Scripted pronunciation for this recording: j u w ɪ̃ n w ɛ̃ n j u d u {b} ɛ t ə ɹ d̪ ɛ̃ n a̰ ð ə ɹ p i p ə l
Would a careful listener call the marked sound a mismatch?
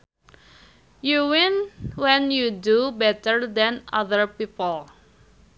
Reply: no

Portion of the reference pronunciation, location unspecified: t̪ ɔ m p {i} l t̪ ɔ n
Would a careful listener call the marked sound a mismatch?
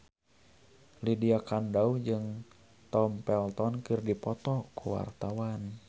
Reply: yes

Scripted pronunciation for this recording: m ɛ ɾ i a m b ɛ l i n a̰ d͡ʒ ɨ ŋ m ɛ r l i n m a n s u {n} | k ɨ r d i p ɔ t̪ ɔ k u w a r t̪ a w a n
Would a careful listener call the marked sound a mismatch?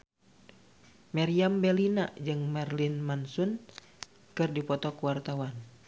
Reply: no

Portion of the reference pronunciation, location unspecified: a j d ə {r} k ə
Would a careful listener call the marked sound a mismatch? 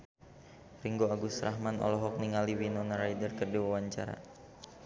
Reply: no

